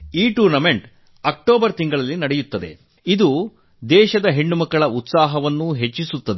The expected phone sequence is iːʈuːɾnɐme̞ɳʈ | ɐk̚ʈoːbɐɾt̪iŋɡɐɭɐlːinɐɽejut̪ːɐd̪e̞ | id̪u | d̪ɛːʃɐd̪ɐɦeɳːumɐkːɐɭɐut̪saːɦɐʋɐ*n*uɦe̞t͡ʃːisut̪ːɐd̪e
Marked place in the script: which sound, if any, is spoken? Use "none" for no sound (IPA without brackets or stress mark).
nː